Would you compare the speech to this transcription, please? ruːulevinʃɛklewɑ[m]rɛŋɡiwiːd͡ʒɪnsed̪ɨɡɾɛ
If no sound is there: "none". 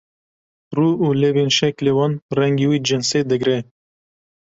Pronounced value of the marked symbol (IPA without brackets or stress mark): n